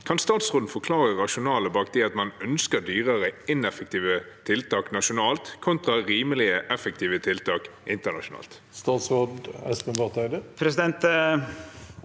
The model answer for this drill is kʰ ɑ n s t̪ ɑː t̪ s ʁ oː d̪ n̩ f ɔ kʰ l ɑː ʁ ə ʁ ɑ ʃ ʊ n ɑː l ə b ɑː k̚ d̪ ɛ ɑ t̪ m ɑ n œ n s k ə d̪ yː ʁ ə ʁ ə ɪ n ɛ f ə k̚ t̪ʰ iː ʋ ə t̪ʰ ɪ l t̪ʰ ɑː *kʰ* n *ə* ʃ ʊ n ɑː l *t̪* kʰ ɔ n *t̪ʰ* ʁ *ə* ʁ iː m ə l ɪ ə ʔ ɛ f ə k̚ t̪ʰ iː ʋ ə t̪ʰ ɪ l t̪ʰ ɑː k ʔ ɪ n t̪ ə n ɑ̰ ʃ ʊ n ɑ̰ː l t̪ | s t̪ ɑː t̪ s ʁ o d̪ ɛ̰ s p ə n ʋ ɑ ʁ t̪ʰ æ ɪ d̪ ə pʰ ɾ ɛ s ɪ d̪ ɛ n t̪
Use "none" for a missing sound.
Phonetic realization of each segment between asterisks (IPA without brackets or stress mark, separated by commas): k, ɑ, t̪, t̪, ɑ